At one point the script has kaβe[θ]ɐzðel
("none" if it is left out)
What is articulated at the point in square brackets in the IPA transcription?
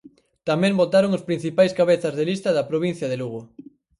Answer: θ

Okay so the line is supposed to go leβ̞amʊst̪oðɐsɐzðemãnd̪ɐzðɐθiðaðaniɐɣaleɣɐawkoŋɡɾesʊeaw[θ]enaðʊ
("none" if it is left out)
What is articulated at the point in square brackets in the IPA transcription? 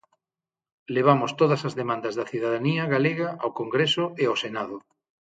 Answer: s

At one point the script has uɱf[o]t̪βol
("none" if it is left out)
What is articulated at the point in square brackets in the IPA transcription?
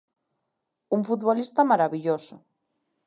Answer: u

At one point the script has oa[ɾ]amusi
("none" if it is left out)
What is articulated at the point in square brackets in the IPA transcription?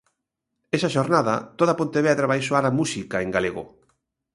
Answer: ɾ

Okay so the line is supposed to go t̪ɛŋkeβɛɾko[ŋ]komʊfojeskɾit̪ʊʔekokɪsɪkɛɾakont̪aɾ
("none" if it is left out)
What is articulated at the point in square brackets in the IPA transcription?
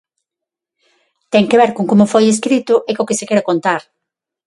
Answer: ŋ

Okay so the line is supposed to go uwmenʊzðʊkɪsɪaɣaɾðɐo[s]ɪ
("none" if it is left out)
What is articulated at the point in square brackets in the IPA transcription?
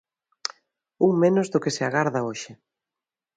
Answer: ʃ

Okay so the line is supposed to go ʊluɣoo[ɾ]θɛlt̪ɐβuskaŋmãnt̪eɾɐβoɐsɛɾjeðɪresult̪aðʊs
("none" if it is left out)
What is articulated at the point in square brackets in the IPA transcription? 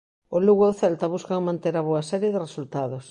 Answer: none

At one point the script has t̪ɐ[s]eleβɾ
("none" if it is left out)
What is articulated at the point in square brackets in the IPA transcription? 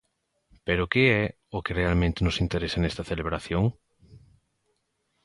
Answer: θ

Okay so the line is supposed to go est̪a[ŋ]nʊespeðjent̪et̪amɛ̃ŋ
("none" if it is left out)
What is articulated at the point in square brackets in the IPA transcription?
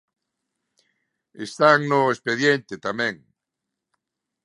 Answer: ŋ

